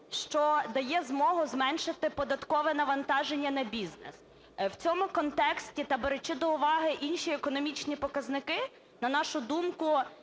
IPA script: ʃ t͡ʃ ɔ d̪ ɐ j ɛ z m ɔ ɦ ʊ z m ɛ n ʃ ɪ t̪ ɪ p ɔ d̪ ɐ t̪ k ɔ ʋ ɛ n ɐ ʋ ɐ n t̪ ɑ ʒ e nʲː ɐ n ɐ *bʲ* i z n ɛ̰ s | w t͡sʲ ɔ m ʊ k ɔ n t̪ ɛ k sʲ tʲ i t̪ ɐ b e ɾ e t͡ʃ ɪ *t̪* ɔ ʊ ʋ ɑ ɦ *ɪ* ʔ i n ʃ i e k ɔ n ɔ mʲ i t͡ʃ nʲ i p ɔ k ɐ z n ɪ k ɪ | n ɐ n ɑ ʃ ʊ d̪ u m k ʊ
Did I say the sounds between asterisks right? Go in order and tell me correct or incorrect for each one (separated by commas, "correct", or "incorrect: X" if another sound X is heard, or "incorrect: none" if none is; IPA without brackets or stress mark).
correct, incorrect: d̪, correct